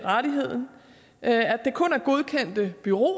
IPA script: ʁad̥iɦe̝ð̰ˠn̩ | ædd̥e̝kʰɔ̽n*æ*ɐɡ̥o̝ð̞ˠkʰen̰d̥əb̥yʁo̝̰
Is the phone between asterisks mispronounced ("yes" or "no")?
no